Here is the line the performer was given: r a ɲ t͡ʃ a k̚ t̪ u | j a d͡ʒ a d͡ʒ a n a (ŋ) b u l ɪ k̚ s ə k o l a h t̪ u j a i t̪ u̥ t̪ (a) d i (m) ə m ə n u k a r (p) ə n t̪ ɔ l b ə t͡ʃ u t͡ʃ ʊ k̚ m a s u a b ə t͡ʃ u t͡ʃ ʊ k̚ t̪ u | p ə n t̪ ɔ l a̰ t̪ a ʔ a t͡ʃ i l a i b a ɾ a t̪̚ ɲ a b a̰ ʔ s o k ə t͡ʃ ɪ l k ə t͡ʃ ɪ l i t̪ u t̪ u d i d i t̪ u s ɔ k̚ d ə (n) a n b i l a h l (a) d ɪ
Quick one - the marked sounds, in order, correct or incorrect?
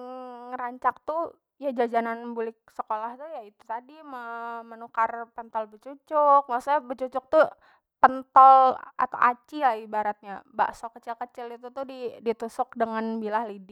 incorrect: n, correct, correct, correct, incorrect: ŋ, incorrect: i

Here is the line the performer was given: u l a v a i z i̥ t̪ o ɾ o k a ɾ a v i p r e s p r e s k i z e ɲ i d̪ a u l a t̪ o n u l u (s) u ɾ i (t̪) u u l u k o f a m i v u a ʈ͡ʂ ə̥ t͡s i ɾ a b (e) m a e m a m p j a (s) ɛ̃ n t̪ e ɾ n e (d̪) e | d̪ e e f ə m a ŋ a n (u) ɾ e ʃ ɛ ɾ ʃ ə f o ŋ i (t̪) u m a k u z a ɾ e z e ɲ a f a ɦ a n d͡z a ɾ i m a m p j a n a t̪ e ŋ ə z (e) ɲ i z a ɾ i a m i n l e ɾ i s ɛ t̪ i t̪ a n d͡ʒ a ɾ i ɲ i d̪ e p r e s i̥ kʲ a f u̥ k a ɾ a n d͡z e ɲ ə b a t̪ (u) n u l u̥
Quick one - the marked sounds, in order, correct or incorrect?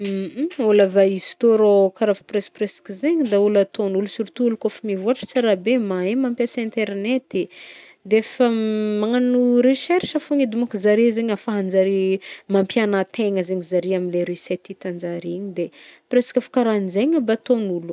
correct, correct, correct, correct, incorrect: t̪, correct, incorrect: d̪, correct, incorrect: o

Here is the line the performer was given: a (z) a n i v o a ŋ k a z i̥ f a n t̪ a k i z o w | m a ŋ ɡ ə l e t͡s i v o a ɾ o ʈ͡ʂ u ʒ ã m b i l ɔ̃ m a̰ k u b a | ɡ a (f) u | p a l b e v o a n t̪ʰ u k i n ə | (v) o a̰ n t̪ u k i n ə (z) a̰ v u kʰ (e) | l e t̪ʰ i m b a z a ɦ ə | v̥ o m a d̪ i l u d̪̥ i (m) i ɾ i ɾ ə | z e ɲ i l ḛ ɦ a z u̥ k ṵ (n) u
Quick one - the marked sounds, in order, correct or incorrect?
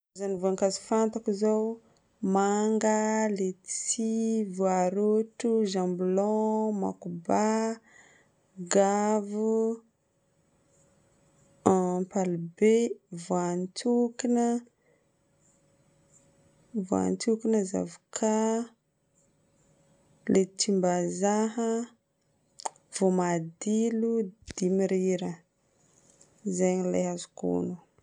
correct, incorrect: v, correct, correct, incorrect: a, correct, correct

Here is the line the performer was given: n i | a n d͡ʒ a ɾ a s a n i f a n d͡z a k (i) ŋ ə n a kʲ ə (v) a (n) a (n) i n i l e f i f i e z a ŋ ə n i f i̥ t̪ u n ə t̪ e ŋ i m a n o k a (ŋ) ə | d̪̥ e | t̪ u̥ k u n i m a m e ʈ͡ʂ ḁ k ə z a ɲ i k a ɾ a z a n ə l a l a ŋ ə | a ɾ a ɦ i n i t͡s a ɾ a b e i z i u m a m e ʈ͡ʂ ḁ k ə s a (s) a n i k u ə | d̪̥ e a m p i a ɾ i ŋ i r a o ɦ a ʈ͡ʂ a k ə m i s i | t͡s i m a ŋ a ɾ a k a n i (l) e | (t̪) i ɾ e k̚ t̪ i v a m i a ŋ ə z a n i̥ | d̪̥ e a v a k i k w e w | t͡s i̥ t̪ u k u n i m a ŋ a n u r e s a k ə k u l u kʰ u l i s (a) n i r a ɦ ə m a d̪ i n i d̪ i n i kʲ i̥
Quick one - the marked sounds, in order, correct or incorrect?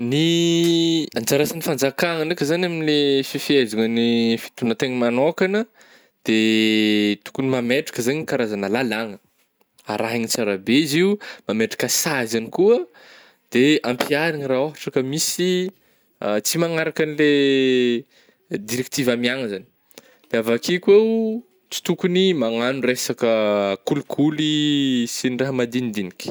incorrect: a, incorrect: z, correct, incorrect: m, incorrect: n, incorrect: z, correct, incorrect: d̪, incorrect: i

